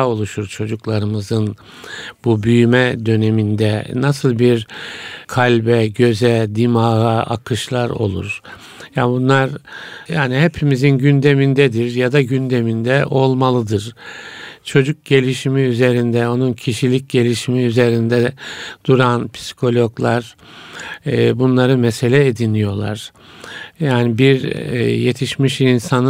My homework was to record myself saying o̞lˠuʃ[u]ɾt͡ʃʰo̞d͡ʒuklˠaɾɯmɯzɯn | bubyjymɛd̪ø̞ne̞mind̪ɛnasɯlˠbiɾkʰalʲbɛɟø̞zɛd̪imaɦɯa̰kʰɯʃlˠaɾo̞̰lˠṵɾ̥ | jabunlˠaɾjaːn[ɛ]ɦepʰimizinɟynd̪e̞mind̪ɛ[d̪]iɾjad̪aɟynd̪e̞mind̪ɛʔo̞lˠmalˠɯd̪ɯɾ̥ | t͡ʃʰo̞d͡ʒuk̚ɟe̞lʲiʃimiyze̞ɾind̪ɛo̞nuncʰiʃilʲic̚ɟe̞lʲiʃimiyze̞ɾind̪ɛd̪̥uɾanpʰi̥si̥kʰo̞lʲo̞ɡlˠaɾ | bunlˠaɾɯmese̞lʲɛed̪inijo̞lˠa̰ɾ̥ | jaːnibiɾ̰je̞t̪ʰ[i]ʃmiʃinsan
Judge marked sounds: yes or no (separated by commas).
yes, no, yes, yes